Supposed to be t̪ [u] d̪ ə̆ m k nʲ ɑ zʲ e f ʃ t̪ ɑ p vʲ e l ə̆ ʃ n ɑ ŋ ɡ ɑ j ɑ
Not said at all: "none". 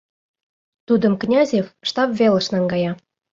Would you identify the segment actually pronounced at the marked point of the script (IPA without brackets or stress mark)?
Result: u